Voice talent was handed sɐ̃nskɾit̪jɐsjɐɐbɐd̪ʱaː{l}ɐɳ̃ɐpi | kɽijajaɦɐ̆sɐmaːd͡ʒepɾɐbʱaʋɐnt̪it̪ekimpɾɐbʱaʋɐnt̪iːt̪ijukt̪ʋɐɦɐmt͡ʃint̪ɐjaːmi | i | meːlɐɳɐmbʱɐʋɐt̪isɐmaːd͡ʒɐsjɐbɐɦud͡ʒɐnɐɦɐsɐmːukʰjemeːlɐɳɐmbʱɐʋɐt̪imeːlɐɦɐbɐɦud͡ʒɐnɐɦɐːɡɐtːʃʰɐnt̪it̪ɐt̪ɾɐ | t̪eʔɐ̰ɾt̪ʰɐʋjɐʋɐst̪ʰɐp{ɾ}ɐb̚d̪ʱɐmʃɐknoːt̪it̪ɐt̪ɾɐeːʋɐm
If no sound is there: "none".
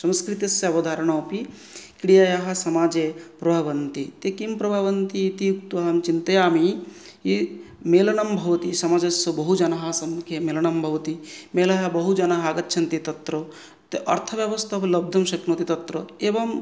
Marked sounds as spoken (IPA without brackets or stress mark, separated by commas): ɾ, l